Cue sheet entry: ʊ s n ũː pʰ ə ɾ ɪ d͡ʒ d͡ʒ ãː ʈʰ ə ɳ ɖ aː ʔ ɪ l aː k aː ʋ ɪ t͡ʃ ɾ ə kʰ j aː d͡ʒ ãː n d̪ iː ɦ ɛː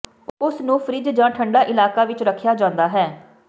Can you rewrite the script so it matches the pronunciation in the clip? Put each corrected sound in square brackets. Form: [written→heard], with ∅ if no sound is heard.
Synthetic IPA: ʊ s n ũː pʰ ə ɾ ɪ d͡ʒ d͡ʒ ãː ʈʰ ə ɳ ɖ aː ʔ ɪ l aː k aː ʋ ɪ t͡ʃ ɾ ə kʰ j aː d͡ʒ ãː n d̪ [iː→aː] ɦ ɛː